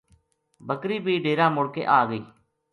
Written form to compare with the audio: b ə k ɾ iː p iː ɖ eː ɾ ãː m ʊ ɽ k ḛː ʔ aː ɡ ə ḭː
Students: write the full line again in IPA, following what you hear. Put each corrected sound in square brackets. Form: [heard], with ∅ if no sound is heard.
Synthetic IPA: b ə k ɾ iː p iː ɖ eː ɾ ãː m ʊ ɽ k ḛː ʔ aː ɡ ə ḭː